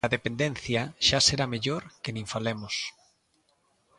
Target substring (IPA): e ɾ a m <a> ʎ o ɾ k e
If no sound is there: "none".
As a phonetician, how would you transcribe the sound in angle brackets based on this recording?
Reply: e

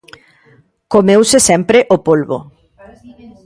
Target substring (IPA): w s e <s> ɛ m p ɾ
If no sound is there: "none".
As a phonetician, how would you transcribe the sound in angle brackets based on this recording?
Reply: s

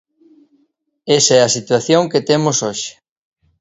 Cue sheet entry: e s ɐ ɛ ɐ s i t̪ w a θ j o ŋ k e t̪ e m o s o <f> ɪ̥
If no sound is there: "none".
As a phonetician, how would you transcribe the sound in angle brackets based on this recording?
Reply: ʃ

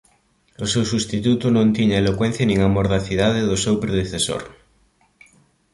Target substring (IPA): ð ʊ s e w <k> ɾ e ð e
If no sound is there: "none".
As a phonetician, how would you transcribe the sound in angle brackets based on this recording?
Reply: p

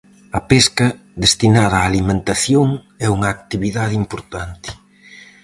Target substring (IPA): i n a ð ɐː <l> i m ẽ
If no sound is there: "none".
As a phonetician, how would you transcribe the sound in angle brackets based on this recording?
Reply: l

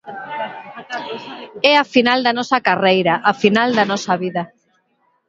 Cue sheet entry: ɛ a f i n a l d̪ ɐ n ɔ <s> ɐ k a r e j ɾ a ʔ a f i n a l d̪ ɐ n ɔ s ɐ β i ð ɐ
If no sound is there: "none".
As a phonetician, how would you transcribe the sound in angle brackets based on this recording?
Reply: s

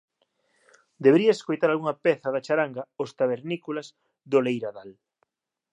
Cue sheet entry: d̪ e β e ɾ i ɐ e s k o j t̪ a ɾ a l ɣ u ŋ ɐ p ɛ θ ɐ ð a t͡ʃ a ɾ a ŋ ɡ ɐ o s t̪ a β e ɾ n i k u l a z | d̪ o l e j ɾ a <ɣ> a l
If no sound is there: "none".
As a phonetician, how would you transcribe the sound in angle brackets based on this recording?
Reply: ð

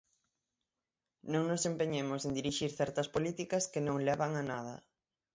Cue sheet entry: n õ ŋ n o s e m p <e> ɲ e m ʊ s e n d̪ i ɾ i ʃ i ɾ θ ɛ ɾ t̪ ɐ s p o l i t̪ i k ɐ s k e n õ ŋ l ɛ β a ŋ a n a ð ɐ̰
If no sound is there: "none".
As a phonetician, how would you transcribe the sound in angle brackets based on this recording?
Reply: e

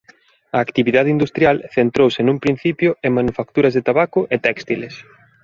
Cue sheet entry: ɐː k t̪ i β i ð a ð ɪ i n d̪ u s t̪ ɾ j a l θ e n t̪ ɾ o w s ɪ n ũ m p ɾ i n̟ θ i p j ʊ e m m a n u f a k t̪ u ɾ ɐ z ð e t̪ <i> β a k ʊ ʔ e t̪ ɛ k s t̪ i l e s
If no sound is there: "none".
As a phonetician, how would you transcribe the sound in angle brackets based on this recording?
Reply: a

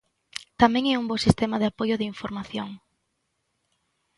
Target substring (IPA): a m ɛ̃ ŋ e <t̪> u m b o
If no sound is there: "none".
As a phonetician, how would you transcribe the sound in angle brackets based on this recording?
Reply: none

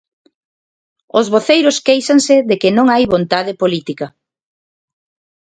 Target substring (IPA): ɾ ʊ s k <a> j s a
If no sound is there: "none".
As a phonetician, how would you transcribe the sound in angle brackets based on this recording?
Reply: e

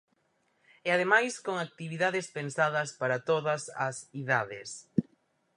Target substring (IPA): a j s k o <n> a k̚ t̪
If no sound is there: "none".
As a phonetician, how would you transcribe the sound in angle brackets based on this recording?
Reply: ŋ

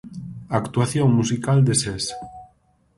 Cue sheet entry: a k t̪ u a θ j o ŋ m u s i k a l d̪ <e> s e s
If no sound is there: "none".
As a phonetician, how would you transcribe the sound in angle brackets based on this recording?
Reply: e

